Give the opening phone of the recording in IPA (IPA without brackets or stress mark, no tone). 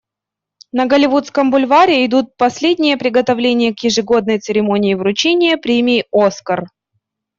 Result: n